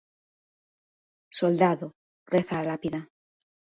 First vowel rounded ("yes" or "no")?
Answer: yes